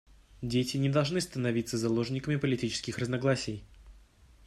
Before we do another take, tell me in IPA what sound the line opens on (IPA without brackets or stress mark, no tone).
dʲ